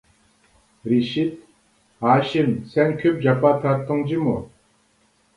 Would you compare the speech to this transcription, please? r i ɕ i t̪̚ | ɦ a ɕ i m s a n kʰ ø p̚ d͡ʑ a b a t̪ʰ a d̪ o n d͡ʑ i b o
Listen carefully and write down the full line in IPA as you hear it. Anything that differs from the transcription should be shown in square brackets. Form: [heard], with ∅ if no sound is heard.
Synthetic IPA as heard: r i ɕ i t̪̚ | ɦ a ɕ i m s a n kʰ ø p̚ d͡ʑ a [p] a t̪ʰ a [t̪] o [ŋ] d͡ʑ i [m] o